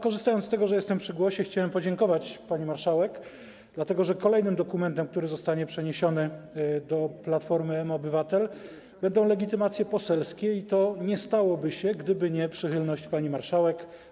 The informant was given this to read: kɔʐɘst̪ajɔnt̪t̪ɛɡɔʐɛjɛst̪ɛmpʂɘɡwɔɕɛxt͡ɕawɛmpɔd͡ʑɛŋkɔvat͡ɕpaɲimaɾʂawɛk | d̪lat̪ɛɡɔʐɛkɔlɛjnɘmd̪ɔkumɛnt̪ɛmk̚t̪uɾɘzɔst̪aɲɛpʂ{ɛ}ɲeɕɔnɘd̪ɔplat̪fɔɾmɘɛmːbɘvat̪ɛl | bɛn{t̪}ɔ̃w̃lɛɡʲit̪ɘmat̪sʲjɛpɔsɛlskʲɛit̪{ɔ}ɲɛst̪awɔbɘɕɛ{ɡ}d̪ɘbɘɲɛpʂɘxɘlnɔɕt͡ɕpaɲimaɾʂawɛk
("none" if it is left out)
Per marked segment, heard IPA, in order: ɛ, d̪, ɔ, ɡ

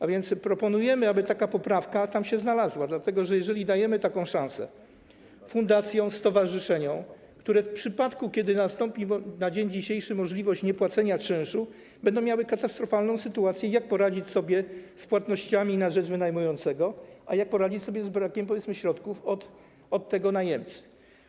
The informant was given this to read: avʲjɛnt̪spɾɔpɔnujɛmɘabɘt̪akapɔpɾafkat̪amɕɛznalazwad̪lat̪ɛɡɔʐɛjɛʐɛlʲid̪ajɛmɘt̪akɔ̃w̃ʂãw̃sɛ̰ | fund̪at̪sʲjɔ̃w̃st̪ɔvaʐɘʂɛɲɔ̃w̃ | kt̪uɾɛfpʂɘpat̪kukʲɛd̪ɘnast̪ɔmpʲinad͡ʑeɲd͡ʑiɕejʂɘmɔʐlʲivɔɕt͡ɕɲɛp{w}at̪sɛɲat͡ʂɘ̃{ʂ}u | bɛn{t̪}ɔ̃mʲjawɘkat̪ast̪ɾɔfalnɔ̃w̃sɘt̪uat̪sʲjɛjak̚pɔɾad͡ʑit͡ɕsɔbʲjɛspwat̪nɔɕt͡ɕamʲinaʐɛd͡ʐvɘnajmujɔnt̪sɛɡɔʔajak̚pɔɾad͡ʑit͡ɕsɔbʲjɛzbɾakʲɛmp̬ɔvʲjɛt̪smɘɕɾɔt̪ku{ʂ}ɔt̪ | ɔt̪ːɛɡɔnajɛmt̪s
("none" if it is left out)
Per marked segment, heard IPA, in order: w, ʂ, d̪, f

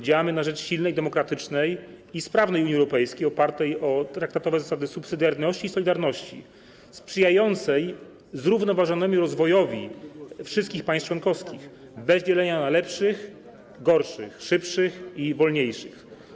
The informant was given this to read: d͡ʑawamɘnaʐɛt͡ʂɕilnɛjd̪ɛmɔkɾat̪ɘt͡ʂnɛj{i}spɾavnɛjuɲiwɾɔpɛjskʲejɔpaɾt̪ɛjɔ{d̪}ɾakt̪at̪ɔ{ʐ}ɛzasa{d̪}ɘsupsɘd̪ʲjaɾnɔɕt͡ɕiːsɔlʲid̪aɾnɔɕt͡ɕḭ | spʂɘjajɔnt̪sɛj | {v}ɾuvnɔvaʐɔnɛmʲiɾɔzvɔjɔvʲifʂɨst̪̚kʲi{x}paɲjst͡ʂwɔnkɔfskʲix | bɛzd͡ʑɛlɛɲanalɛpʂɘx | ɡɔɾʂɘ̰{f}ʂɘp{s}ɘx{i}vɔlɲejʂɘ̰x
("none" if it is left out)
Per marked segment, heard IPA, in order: i, t̪, v, d̪, z, x, x, ʂ, i

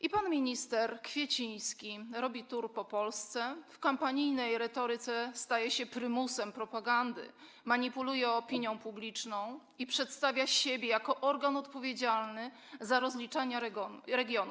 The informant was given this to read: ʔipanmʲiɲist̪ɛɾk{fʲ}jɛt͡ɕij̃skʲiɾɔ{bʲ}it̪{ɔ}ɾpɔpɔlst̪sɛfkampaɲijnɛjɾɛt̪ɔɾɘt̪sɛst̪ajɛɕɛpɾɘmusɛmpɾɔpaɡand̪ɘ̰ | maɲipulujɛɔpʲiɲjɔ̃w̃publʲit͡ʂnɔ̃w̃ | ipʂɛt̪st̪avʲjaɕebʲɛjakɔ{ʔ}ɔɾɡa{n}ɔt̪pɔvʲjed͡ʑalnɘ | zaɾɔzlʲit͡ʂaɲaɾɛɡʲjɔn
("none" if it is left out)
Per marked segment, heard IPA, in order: fʲ, bʲ, u, ʔ, n

